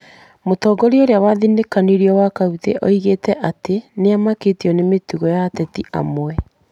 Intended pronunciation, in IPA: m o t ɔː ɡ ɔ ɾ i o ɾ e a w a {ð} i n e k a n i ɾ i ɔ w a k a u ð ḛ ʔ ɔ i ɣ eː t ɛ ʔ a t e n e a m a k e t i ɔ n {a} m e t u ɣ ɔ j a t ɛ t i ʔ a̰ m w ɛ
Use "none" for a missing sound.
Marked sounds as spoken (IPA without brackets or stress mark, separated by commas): ð, e